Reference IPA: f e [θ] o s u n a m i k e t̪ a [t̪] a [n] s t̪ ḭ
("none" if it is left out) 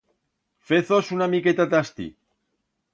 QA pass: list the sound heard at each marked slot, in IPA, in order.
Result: θ, t̪, none

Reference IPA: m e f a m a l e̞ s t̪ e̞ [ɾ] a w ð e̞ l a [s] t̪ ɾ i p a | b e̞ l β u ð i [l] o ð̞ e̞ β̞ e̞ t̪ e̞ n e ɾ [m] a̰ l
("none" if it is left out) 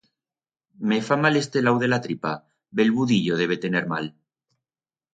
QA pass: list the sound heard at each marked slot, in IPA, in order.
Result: l, none, ʎ, m

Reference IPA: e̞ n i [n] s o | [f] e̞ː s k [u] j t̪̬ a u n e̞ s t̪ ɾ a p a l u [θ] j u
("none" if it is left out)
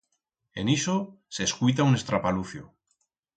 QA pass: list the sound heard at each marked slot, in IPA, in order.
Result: none, s, u, θ

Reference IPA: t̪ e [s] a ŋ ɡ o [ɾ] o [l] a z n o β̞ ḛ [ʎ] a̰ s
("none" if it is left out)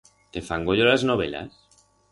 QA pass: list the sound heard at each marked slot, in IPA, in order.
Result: f, ʎ, l, l

